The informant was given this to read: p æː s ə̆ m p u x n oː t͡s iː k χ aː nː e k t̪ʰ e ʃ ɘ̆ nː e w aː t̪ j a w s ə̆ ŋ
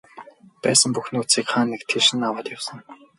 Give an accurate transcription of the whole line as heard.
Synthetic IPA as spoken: p æː s ə̆ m p u x n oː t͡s iː k χ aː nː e k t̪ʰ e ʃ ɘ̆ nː a w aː t̪ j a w s ə̆ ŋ